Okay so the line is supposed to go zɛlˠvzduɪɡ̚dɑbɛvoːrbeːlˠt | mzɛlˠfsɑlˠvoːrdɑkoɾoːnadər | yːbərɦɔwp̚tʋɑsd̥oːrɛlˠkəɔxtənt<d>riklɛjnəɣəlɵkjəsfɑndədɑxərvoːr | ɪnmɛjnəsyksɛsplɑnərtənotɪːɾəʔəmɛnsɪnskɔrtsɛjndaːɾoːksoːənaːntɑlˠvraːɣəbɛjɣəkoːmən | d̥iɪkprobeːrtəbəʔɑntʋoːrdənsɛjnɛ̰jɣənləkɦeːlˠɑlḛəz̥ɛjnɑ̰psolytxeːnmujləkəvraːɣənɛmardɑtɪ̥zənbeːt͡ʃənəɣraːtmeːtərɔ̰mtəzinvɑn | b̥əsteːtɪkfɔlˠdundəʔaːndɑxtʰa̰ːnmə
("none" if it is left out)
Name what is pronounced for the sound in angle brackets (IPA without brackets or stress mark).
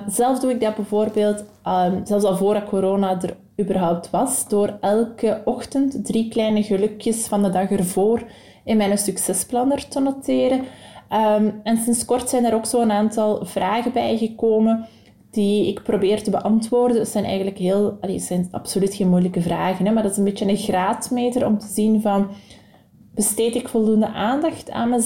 d